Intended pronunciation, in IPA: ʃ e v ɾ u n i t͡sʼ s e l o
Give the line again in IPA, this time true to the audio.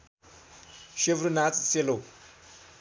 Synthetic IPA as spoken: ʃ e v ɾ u n a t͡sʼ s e l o